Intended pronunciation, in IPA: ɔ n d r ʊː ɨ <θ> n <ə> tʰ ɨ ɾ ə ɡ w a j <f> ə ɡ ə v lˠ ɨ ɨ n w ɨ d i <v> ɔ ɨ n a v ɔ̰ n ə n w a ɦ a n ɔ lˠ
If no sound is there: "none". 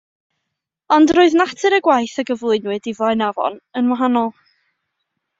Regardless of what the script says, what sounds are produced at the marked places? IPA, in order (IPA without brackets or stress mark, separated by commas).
ð, a, θ, v